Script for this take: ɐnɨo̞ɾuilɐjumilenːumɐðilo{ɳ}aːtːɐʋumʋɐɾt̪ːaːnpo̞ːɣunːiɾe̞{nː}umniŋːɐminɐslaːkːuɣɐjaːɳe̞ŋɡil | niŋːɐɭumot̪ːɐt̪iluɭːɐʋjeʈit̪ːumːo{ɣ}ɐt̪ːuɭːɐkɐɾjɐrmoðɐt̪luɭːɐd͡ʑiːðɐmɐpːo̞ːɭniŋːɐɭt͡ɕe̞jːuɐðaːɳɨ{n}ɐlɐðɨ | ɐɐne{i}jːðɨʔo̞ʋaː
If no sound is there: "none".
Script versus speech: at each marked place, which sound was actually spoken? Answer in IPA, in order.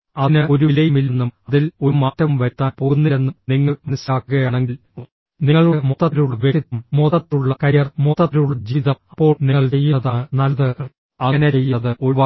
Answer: m, nː, ð, n, e

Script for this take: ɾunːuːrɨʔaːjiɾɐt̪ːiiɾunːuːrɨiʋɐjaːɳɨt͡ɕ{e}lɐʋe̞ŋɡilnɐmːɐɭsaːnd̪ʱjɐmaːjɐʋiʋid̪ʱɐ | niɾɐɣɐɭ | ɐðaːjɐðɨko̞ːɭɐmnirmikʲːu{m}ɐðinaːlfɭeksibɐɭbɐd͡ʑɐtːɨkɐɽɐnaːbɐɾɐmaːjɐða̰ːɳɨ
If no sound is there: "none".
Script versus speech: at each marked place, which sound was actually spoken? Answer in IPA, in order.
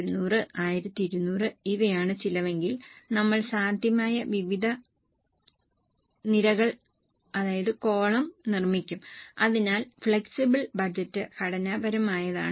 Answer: i, m

